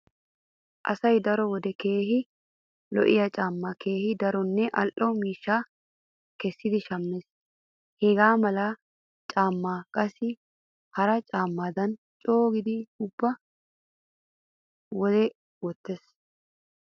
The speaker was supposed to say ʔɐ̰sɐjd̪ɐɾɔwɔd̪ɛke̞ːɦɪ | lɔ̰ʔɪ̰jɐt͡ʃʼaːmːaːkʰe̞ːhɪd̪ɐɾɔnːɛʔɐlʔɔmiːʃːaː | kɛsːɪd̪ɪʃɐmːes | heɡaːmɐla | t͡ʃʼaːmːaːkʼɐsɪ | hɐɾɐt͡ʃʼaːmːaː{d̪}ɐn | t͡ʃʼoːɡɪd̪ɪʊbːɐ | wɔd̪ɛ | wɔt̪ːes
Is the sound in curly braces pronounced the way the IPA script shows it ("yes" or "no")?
yes